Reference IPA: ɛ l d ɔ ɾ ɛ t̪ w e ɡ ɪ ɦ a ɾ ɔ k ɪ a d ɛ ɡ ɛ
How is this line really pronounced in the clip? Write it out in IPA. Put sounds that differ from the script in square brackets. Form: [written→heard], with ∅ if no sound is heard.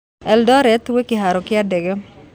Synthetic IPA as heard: ɛ l d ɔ ɾ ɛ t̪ w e [ɡ→k] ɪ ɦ a ɾ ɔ k ɪ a d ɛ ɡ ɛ